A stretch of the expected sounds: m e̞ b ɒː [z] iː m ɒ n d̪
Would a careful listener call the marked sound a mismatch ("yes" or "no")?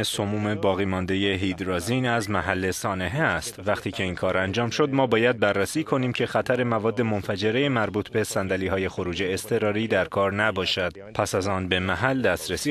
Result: yes